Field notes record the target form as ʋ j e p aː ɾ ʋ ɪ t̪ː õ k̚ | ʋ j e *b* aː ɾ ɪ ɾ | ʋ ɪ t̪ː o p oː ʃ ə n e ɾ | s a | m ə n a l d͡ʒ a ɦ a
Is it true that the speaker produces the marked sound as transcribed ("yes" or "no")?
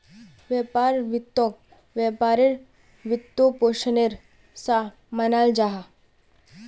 no